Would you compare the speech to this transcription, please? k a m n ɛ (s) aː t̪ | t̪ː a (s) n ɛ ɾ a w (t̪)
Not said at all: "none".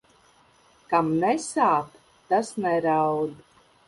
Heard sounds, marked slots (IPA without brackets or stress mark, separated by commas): s, s, d̪